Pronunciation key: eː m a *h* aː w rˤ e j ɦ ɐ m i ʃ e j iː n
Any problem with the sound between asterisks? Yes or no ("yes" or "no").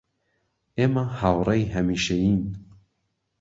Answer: no